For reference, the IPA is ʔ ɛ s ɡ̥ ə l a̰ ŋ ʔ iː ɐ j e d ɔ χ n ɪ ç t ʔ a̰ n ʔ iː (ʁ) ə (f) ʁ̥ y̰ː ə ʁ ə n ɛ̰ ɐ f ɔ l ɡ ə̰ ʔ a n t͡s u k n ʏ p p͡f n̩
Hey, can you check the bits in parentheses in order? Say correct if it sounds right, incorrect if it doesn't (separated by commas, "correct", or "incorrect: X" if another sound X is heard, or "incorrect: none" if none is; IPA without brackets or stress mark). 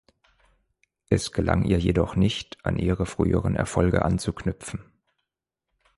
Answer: correct, correct